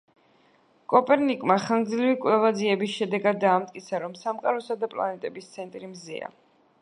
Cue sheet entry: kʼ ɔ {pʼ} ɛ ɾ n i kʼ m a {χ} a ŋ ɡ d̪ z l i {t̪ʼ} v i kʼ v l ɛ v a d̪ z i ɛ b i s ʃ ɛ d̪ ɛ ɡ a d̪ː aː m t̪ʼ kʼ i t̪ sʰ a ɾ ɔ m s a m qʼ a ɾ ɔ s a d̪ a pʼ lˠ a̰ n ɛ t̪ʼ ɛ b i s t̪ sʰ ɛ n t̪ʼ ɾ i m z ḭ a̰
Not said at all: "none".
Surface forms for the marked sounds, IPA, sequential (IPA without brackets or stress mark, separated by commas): pʼ, χ, none